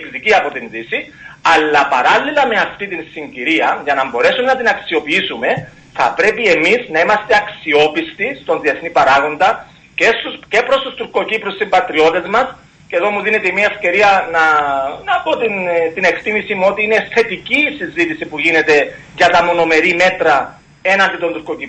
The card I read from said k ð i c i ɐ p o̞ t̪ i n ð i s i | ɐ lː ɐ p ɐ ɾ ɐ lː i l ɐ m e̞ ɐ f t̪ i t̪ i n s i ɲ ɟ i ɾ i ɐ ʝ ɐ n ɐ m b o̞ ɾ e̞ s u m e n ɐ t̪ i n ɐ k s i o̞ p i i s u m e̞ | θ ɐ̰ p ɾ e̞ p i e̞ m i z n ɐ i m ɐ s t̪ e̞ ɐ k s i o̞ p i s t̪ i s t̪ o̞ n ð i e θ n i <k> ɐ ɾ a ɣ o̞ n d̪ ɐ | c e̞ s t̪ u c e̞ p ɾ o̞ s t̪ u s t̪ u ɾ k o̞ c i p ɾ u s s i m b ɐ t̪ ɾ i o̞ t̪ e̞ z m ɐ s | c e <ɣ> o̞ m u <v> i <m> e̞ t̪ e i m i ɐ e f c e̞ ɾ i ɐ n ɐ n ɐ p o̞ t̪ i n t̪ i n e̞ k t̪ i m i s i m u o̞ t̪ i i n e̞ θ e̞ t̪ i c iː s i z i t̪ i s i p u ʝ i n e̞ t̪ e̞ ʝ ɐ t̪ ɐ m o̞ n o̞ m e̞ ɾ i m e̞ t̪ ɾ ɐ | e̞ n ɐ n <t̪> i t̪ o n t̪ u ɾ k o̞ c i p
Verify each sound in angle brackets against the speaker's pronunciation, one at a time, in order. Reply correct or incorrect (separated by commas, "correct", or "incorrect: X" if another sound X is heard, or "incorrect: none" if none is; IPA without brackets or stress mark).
incorrect: p, incorrect: ð, incorrect: ð, incorrect: n, incorrect: d̪